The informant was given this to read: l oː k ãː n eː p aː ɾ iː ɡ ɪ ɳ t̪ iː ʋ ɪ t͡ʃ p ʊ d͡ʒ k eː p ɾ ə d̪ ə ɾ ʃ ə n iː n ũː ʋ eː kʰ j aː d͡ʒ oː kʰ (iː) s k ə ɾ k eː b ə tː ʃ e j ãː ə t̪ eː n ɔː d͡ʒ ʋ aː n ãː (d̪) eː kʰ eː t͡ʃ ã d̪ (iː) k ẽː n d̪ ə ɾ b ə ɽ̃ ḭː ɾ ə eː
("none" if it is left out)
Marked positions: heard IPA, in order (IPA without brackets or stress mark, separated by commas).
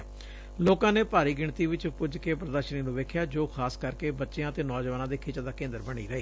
aː, d̪, aː